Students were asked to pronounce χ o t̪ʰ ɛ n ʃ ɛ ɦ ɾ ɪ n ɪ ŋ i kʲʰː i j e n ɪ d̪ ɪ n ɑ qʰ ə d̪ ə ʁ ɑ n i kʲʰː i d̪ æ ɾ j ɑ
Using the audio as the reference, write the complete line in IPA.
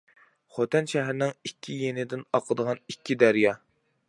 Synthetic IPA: χ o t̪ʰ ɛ n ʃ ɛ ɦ ɾ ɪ n ɪ ŋ i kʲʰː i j e n ɪ d̪ ɪ n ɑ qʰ ə d̪ ə ʁ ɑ n i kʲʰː i d̪ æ ɾ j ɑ

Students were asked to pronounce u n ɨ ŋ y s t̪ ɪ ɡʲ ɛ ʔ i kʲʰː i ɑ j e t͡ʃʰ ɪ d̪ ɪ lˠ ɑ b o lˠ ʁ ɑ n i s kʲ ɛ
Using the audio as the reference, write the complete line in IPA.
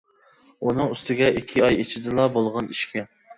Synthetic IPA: u n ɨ ŋ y s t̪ ɪ ɡʲ ɛ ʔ i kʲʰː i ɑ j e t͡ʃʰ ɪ d̪ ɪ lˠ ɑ b o lˠ ʁ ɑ n i ʃ kʲ ɛ

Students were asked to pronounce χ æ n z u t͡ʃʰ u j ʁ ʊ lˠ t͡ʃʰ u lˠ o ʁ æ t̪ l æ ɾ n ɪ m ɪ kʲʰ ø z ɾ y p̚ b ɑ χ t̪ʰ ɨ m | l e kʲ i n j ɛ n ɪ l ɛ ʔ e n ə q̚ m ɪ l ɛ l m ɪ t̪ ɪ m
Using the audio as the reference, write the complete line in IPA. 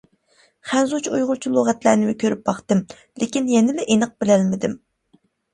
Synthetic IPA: χ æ n z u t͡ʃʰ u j ʁ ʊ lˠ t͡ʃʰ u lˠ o ʁ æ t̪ l æ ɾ n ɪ m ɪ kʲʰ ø ɾ y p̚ b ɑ χ t̪ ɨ m | l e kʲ i n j ɛ n ɪ l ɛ ʔ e n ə q̚ b ɪ l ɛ l m ɪ d̪ ɪ m

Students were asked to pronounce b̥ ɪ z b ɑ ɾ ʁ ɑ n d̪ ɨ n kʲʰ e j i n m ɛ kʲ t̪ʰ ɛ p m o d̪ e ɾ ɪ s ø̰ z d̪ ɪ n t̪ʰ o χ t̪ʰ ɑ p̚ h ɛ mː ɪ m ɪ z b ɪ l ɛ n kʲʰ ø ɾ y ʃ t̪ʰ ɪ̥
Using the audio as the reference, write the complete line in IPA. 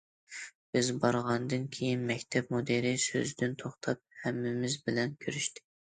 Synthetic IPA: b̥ ɪ z b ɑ ɾ ʁ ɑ n d̪ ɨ n kʲʰ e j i n m ɛ kʲ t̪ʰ ɛ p m o d̪ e ɾ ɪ s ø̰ z d̪ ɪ n t̪ʰ o χ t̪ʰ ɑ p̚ h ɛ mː ɪ m ɪ z b ɪ l ɛ n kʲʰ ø ɾ y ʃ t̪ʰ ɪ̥

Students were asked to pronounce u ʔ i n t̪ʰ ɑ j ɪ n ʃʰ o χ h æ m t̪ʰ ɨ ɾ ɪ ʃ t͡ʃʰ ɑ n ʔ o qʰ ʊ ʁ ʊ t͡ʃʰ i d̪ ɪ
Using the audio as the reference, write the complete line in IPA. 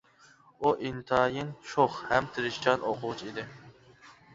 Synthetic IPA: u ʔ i n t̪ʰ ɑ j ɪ n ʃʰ o χ h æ m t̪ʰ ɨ ɾ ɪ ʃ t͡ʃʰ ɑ n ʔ o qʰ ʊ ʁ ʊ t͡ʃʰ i d̪ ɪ

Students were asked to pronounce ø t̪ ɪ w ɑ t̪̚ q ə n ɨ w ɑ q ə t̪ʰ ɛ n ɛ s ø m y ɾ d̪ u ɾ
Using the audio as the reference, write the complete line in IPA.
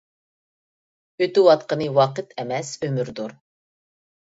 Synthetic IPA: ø t̪ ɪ w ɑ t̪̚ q ə n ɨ w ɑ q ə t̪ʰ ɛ m ɛ s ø m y ɾ d̪ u ɾ

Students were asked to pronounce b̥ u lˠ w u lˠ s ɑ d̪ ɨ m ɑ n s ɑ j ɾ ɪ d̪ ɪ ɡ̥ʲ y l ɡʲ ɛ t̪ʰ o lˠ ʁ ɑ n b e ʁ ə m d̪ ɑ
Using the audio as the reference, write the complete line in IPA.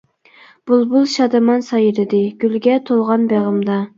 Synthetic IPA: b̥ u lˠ b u lˠ ʃ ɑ d̪ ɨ m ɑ n s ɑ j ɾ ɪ d̪ ɪ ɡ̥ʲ y l ɡʲ ɛ t̪ʰ o lˠ ʁ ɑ n b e ʁ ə m d̪ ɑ

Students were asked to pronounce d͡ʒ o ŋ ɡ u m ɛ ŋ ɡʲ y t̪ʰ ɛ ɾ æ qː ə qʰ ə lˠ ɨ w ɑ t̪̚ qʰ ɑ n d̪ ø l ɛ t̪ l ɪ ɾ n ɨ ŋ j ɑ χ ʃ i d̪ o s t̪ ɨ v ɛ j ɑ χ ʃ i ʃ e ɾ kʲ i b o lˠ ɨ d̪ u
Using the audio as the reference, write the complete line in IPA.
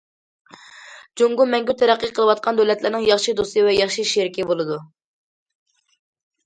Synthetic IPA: d͡ʒ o ŋ ɡ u m ɛ ŋ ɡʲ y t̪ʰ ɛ ɾ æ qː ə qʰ ə lˠ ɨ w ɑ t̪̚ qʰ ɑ n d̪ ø l ɛ t̪ l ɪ ɾ n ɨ ŋ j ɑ χ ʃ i d̪ o s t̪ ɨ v ɛ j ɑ χ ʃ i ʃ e ɾ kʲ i b o lˠ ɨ d̪ u

